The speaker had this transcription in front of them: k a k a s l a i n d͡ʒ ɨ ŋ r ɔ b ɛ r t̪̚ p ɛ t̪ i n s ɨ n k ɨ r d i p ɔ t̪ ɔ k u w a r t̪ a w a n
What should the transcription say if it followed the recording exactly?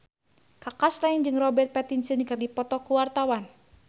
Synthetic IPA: k a k a s l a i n d͡ʒ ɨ ŋ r ɔ b ɛ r t̪̚ p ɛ t̪ i n s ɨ n k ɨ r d i p ɔ t̪ ɔ k u w a r t̪ a w a n